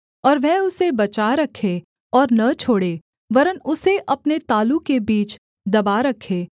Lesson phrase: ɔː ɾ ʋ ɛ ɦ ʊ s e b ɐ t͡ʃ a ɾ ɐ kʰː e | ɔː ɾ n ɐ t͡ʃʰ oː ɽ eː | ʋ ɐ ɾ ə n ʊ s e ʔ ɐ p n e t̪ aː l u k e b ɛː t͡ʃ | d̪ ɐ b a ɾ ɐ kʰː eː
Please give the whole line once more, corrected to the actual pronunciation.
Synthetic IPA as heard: ɔː ɾ ʋ ɛ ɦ ʊ s e b ɐ t͡ʃ a ɾ ɐ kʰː e | ɔː ɾ n ɐ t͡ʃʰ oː ɽ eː | ʋ ɐ ɾ ə n ʊ s e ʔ ɐ p n e t̪ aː l u k e b iː t͡ʃ | d̪ ɐ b a ɾ ɐ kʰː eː